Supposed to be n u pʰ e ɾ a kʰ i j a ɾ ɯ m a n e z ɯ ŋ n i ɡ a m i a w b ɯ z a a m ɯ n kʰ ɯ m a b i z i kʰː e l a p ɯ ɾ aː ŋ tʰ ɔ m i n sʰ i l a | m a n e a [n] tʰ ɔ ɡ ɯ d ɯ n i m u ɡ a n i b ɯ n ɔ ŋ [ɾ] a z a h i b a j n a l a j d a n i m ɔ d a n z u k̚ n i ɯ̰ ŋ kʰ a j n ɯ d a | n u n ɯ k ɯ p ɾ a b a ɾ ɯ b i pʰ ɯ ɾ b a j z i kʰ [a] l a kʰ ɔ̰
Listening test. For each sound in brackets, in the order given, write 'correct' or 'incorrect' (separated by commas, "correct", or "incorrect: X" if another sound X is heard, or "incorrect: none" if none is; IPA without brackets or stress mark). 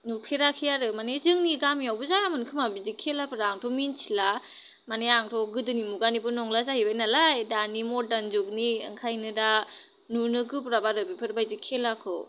incorrect: ŋ, incorrect: l, incorrect: e